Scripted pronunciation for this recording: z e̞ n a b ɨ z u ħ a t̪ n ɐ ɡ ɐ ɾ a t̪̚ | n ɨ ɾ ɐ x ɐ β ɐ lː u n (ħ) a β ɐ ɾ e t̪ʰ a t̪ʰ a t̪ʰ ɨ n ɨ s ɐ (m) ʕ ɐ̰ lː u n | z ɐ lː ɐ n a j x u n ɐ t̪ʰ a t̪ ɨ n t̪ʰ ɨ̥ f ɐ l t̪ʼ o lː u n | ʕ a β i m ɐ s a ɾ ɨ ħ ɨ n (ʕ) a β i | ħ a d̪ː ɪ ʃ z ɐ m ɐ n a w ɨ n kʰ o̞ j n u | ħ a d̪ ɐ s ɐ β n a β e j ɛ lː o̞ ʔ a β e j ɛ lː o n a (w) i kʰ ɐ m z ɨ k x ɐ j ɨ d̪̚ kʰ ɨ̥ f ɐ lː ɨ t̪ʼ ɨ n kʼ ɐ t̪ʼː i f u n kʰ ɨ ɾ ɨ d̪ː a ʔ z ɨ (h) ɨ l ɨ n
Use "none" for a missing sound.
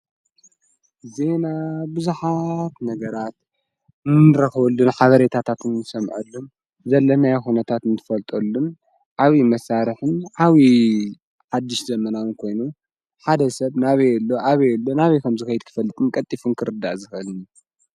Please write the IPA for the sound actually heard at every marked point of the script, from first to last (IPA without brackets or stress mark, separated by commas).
ħ, m, ʕ, β, x